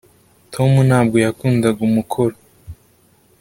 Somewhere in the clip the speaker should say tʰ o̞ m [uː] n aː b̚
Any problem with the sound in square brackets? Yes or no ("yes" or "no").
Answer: yes